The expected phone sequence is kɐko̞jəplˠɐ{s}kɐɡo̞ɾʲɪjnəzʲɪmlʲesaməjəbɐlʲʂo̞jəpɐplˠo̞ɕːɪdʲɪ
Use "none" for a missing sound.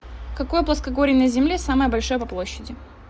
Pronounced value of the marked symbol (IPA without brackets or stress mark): s